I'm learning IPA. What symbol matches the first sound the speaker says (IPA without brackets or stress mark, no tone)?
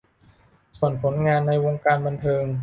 s